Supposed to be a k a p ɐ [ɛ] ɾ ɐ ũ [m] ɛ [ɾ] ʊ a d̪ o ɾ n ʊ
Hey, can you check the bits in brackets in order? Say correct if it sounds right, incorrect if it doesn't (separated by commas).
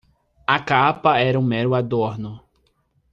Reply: correct, correct, correct